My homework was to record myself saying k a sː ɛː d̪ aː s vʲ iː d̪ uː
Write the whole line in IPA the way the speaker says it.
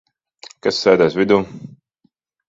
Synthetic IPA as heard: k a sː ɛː d̪ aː s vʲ i d̪ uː